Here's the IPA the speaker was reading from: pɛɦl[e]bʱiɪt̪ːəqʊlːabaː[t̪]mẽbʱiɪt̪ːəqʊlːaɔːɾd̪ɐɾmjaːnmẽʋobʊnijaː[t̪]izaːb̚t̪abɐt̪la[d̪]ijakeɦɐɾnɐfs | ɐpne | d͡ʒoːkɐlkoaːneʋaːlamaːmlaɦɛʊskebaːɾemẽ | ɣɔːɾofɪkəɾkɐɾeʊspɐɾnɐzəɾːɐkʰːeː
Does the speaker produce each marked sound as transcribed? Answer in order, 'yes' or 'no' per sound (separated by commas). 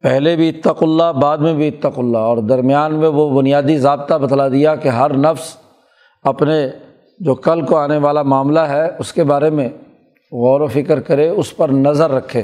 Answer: yes, no, no, yes